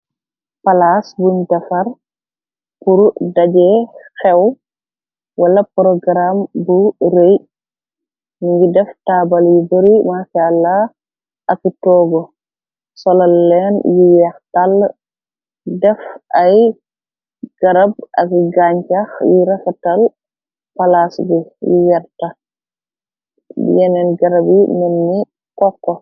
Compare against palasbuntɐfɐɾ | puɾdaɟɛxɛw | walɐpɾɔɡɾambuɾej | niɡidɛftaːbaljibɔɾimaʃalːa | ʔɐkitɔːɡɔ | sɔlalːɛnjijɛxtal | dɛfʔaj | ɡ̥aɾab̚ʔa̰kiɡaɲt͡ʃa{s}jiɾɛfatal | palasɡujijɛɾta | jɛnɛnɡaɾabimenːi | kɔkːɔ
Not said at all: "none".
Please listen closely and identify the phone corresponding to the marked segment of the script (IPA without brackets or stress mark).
x